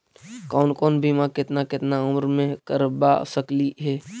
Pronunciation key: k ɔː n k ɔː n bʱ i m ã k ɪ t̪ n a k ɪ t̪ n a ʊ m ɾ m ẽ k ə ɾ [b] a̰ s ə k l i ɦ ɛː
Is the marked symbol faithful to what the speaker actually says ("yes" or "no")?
yes